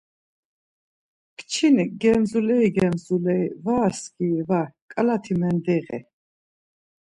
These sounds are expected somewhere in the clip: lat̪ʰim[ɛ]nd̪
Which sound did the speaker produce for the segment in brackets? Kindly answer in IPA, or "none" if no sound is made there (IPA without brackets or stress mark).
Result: ɛ